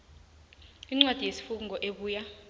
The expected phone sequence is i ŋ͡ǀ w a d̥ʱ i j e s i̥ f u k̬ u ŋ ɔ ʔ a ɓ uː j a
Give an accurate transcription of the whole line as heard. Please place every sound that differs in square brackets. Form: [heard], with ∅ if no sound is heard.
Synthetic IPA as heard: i ŋ͡ǀ w a d̥ʱ i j e s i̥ f u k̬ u ŋ ɔ ʔ [e] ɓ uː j a